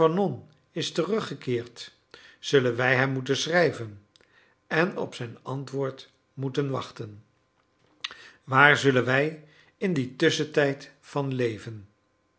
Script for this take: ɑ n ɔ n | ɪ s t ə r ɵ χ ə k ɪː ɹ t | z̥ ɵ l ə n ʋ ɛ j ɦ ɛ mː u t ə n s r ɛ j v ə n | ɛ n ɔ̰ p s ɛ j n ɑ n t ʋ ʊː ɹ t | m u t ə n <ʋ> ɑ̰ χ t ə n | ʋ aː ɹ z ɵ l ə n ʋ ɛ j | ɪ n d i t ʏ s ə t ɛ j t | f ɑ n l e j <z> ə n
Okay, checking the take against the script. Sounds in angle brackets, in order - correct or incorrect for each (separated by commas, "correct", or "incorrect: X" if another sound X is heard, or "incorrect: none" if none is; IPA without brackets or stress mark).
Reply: correct, incorrect: v